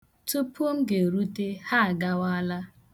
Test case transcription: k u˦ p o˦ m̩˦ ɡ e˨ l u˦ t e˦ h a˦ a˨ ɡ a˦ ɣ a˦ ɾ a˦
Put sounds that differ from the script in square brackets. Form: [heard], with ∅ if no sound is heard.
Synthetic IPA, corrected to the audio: [t] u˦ p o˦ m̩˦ ɡ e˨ [ɾ] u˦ t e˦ h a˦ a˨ ɡ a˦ [w] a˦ [l] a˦